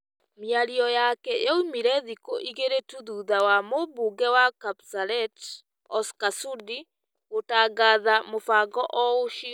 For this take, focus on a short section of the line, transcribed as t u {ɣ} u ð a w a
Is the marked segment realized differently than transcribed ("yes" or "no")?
yes